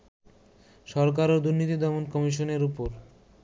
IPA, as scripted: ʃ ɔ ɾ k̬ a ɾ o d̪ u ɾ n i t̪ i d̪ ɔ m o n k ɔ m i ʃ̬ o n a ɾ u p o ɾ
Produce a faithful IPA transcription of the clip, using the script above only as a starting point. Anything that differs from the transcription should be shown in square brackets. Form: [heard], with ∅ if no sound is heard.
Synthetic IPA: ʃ ɔ ɾ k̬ a ɾ o d̪ u ɾ n i t̪ i d̪ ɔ m o n k ɔ m i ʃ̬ o n [e] ɾ u p o ɾ